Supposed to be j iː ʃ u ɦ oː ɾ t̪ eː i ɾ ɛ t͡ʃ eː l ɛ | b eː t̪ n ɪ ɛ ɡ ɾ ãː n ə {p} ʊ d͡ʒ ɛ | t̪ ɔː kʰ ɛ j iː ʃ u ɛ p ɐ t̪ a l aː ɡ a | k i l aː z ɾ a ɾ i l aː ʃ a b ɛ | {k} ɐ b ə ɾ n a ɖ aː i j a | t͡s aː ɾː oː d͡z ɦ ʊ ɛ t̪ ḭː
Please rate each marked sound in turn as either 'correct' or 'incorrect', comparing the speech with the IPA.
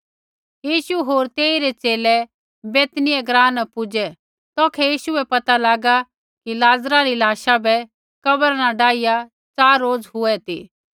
correct, correct

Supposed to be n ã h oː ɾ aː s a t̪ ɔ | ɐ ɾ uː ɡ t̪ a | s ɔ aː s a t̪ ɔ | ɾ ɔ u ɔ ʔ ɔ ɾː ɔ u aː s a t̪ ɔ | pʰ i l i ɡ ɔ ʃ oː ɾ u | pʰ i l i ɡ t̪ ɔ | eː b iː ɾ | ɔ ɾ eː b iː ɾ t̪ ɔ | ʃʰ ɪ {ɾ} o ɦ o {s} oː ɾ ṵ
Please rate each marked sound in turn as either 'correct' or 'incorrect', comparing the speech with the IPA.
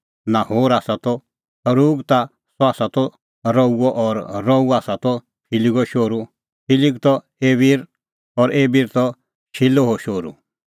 incorrect: l, incorrect: ʃ

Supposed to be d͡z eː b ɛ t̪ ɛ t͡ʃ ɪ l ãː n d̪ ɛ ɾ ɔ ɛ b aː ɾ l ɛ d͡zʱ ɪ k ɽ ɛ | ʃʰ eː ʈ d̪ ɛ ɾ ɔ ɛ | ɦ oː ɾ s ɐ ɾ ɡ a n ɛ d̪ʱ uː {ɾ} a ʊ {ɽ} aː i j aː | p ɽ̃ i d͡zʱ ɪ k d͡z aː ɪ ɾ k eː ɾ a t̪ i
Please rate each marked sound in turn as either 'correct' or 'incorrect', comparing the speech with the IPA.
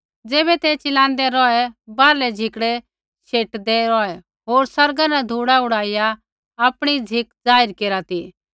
incorrect: ɽ, correct

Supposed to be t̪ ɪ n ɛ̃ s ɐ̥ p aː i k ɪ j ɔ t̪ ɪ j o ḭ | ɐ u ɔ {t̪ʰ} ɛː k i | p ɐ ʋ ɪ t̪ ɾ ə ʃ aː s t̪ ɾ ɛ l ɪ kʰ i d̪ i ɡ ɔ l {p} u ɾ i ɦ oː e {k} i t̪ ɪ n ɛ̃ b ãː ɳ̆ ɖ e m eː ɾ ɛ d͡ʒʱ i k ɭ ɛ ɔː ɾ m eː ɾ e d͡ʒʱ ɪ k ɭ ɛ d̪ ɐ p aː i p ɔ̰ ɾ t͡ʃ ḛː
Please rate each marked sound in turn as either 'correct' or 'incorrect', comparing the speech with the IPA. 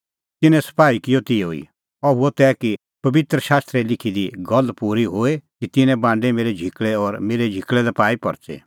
incorrect: t̪, correct, correct

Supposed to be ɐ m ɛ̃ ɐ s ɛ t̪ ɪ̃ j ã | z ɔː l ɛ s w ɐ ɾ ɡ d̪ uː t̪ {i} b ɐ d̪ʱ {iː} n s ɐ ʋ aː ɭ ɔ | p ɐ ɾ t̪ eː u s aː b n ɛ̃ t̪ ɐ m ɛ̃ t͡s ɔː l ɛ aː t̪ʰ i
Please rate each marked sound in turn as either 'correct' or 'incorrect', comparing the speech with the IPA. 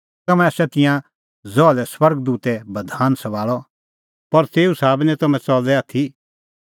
incorrect: ɛ, incorrect: aː

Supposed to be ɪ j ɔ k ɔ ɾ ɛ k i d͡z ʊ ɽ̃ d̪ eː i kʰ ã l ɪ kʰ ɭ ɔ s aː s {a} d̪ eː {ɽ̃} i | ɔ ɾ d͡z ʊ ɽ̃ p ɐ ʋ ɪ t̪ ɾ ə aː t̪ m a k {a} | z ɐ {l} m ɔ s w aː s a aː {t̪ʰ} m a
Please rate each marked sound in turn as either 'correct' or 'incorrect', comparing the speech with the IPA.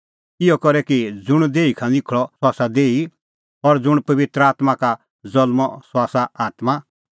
correct, incorrect: none, correct, correct, incorrect: t̪

